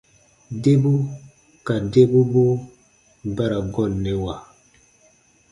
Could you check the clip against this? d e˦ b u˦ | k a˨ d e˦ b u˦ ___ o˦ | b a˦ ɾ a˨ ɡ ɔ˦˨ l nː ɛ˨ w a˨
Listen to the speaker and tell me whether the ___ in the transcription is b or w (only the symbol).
b